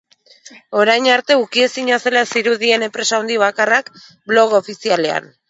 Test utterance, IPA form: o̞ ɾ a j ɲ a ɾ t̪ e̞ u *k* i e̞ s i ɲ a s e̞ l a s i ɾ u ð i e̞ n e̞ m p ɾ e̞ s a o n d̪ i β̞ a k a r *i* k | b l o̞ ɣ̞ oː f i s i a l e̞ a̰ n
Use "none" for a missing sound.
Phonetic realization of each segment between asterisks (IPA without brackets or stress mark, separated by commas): k, a